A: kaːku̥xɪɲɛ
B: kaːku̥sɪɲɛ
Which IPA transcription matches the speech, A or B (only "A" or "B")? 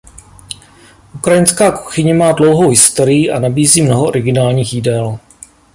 A